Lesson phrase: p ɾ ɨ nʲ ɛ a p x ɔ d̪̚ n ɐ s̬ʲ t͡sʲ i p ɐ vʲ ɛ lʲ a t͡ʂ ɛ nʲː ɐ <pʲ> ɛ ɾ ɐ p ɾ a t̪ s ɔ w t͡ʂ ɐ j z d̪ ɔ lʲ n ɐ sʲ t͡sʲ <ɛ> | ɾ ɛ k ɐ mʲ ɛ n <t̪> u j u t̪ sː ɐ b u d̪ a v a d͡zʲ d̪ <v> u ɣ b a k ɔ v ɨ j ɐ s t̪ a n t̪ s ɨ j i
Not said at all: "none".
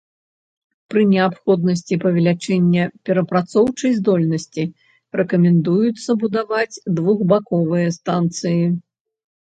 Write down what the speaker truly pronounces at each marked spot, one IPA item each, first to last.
pʲ, i, d̪, v

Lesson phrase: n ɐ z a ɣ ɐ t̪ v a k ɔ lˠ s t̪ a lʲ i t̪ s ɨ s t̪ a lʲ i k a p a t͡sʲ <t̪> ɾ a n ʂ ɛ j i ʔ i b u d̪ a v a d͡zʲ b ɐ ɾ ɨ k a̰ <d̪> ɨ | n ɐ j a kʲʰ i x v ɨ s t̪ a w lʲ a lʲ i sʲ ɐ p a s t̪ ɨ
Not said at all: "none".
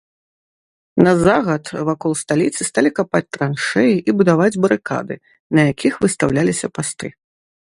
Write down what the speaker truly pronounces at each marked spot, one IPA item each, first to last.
t̪, d̪

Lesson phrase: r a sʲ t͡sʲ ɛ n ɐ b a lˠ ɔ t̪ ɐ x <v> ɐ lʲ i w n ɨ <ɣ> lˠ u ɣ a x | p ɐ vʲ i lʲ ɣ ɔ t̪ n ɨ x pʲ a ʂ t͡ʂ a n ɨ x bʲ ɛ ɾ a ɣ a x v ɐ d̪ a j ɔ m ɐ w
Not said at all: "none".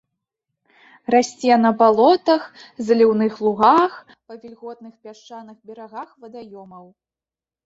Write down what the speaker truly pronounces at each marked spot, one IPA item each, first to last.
z, x

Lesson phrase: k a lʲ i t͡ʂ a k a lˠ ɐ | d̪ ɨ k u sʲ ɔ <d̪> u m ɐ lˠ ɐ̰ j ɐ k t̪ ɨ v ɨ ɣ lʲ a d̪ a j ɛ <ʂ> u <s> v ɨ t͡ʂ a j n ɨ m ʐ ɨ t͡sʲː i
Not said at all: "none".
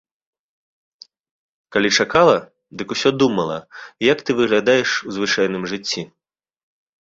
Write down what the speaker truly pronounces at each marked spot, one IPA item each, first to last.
d̪, ʂ, z

